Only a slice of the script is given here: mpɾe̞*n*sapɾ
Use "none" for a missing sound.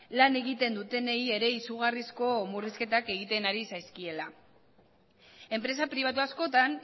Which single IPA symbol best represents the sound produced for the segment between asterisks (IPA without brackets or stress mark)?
none